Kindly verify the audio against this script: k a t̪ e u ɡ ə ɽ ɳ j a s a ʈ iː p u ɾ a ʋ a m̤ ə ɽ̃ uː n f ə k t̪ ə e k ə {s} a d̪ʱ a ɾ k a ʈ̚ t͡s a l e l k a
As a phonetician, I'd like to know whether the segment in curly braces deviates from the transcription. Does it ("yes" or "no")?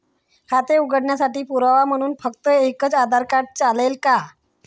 yes